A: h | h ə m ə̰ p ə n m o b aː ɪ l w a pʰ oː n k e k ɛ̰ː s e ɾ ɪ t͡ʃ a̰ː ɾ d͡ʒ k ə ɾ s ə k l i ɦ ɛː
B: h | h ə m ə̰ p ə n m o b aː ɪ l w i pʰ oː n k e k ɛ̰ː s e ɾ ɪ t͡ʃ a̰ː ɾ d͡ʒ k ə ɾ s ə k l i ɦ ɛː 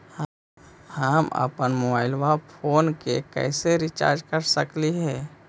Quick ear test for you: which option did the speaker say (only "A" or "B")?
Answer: A